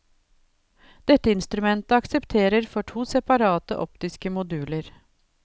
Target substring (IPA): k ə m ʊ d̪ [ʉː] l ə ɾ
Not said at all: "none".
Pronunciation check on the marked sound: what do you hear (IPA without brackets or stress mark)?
ʉː